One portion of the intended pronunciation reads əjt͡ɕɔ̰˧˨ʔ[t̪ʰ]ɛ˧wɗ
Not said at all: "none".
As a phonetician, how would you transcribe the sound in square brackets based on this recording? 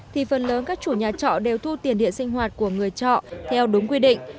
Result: t̪ʰ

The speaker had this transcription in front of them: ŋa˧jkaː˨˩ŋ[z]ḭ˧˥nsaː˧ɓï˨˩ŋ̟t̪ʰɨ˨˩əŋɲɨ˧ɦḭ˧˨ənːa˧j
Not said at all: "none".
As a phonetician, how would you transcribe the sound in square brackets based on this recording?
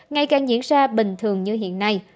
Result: z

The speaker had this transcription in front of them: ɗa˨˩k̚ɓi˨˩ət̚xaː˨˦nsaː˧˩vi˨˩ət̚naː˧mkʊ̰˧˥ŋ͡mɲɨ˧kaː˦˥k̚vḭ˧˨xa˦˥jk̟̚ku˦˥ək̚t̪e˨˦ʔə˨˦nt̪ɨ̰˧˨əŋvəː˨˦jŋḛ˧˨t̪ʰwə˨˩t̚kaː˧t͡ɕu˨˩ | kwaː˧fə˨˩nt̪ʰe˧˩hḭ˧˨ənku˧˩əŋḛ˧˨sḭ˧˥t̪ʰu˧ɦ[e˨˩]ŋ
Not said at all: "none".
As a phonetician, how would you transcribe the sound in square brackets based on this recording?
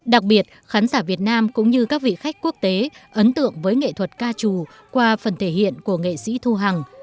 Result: a˨˩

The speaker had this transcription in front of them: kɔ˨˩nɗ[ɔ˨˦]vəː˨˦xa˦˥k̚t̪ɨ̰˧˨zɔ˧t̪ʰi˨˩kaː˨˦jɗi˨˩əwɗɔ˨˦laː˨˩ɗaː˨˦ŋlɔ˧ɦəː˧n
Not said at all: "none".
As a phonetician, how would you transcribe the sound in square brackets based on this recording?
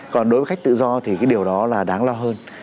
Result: o˨˦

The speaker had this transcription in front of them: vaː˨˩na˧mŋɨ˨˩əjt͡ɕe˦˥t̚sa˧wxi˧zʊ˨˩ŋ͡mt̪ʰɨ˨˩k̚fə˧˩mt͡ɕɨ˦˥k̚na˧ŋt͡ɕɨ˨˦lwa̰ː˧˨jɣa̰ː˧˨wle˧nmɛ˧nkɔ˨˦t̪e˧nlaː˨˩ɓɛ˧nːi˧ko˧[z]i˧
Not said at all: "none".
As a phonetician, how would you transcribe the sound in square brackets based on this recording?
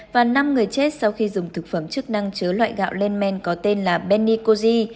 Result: z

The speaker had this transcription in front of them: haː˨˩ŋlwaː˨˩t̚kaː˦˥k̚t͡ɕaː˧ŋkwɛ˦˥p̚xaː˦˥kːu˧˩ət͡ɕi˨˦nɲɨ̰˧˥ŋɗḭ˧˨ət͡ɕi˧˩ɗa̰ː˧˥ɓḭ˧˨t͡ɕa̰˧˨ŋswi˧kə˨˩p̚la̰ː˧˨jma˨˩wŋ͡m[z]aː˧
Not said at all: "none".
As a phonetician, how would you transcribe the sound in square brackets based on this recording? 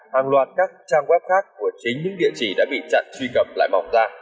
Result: z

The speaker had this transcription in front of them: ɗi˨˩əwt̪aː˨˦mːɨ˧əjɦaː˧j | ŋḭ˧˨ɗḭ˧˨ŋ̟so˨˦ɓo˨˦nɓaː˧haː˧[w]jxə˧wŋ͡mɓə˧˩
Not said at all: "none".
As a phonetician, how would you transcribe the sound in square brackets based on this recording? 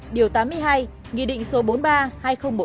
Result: none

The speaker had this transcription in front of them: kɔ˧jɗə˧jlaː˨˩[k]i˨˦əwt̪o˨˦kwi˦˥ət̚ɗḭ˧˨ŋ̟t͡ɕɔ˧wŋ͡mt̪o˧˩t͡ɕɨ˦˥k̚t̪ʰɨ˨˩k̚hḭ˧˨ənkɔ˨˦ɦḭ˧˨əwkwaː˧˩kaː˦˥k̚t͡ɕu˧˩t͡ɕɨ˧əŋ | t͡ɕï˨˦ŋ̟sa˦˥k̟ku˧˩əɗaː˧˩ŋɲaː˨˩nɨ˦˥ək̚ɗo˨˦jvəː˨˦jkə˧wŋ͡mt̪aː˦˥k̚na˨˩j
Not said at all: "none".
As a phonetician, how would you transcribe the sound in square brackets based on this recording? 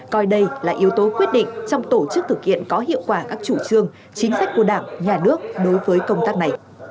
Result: ʔ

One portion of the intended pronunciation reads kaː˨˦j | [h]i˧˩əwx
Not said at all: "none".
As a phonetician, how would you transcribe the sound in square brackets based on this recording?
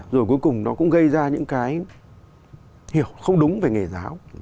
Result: h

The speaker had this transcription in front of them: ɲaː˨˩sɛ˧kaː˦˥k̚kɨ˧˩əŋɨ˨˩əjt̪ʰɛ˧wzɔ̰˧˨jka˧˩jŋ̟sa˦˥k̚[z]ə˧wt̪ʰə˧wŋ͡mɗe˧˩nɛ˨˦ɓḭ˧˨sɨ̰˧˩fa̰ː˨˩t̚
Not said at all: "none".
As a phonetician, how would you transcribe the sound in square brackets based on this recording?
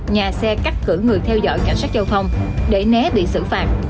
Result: z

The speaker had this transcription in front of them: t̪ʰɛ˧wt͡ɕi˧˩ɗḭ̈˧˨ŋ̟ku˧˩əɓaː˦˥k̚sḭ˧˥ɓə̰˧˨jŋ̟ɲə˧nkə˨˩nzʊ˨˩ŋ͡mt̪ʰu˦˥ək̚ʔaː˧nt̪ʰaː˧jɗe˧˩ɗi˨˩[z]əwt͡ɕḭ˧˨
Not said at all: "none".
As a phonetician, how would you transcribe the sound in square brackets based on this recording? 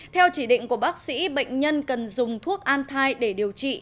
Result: none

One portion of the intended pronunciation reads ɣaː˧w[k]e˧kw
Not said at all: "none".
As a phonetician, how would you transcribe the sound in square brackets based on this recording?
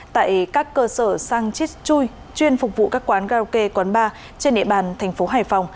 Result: k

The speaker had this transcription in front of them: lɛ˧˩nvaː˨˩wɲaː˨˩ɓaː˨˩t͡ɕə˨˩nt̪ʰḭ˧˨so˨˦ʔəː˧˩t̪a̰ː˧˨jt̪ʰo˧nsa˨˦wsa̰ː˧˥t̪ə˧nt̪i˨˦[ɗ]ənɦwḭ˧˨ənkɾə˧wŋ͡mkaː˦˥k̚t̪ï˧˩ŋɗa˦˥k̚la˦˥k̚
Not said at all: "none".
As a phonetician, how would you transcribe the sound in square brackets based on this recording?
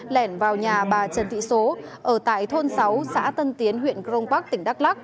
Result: none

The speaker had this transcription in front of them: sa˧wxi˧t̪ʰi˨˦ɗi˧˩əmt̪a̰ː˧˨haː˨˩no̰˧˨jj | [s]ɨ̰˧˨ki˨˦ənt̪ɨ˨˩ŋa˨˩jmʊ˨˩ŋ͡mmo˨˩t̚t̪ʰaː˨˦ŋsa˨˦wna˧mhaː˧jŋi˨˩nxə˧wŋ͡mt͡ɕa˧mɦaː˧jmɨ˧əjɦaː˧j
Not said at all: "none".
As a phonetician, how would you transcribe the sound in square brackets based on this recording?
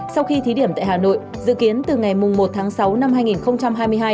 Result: z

